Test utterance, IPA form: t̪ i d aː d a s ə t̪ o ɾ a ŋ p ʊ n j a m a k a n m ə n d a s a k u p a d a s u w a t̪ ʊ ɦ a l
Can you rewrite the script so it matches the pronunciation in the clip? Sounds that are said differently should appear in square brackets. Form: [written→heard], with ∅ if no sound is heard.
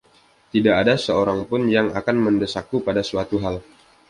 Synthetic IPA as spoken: t̪ i d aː d a s ə [t̪→∅] o ɾ a ŋ p ʊ n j a [m→ŋ] a k a n m ə n d [a→ə] s a k u p a d a s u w a t̪ [ʊ→u] ɦ a l